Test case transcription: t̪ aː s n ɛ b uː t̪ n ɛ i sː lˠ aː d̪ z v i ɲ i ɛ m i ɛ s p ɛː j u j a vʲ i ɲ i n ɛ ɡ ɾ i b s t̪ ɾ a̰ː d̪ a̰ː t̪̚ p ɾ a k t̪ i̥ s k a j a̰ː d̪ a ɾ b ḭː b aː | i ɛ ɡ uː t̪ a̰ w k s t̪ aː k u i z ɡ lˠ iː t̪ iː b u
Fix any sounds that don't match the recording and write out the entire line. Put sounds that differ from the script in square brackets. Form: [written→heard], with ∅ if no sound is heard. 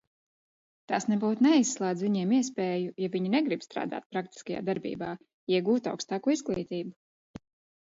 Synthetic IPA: t̪ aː s n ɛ b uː t̪ n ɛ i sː lˠ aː d̪ z v i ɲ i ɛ m i ɛ s p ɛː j u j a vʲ i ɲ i n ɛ ɡ ɾ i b s t̪ ɾ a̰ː d̪ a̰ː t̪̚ p ɾ a k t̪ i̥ s k a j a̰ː d̪ a ɾ b ḭː b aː | i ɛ ɡ uː t̪ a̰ w k s t̪ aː k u i z ɡ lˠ iː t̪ iː b u

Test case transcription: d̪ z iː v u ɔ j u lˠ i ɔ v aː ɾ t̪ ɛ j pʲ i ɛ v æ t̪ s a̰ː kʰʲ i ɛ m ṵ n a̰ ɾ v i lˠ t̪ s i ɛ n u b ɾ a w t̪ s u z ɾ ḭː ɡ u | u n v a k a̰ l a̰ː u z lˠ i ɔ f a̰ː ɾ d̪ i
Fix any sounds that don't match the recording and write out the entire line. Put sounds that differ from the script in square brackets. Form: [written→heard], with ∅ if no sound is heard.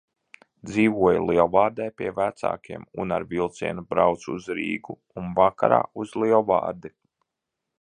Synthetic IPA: d̪ z iː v u ɔ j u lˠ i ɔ v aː ɾ [t̪→d̪] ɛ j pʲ i ɛ v æ t̪ s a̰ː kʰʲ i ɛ m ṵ n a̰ ɾ v i lˠ t̪ s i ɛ n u b ɾ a w t̪ s u z ɾ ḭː ɡ u | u n v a k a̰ [l→ɾ] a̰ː u z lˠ i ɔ [f→v] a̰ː ɾ d̪ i

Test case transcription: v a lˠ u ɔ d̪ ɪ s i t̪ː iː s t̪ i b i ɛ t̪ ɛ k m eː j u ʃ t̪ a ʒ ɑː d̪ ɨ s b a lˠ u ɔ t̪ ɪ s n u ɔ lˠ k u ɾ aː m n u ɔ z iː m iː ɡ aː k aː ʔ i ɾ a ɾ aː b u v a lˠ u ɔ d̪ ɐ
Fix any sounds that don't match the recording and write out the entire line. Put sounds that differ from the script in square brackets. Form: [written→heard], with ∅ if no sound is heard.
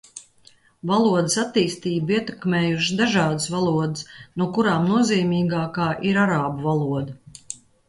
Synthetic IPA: v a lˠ u ɔ d̪ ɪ s [i→a] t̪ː iː s t̪ [i→iː] b i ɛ t̪ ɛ k m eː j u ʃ [t̪→d̪] a ʒ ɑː d̪ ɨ s [b→v] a lˠ u ɔ [t̪→d̪] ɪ s n u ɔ [lˠ→∅] k u ɾ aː m n u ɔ z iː m iː ɡ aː k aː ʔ i ɾ a ɾ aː b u v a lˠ u ɔ d̪ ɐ

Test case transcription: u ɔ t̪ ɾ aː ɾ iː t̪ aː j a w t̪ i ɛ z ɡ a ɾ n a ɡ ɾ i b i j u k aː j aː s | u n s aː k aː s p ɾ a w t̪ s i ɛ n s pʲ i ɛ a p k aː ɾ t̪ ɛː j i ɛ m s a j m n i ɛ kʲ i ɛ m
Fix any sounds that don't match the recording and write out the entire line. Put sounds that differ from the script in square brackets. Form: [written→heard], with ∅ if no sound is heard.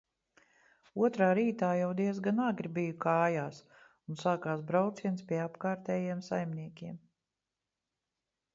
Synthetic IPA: u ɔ t̪ ɾ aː ɾ iː t̪ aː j a w [t̪→d̪] i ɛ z ɡ a [ɾ→∅] n a ɡ ɾ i b i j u k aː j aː s | u n s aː k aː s [p→b] ɾ a w t̪ s i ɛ n s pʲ i ɛ a p k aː ɾ t̪ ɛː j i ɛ m s a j m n i ɛ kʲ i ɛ m

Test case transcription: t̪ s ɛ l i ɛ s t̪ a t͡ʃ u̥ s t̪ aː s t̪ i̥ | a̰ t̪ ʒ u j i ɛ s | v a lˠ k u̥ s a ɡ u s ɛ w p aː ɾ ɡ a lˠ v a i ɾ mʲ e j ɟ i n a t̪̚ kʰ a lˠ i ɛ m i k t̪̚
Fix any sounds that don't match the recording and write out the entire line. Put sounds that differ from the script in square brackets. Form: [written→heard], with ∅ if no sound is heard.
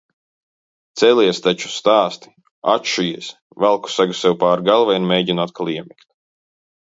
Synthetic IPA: t̪ s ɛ l i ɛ s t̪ a t͡ʃ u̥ s t̪ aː s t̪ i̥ | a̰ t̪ [ʒ→ʃ] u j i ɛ s | v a lˠ k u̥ s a ɡ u s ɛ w p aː ɾ ɡ a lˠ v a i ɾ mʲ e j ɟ i n a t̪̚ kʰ a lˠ i ɛ m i k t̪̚

